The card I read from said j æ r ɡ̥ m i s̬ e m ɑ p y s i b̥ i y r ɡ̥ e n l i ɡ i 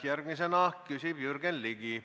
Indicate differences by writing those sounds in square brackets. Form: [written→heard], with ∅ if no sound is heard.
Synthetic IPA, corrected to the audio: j æ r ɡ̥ m i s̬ e [m→n] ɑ [p→k] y s i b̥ [i→j] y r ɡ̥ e n l i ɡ i